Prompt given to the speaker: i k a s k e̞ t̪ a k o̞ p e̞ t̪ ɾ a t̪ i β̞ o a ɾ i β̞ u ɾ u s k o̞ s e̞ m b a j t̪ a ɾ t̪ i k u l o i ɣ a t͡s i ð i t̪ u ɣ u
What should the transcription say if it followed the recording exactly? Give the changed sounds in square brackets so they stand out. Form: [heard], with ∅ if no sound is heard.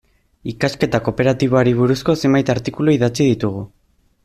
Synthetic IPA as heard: i k a s k e̞ t̪ a k o̞ p e̞ [∅] ɾ a t̪ i β̞ o a ɾ i β̞ u ɾ u s k o̞ s e̞ m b a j t̪ a ɾ t̪ i k u l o i [ð] a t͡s i ð i t̪ u ɣ u